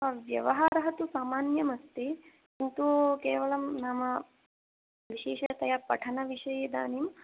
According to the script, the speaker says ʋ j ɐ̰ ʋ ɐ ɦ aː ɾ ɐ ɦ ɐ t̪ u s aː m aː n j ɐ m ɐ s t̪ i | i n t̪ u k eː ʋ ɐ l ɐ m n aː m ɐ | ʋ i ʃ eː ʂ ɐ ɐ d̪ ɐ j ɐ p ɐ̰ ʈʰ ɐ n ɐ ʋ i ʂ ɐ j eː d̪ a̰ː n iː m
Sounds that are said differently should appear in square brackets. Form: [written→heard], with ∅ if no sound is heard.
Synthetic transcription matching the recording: ʋ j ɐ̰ ʋ ɐ ɦ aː ɾ ɐ ɦ ɐ t̪ u s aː m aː n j ɐ m ɐ s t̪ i | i n t̪ u k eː ʋ ɐ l ɐ m n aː m ɐ | ʋ i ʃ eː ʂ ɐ ɐ [d̪→t̪] ɐ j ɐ p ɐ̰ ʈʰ ɐ n ɐ ʋ i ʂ ɐ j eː d̪ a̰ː n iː m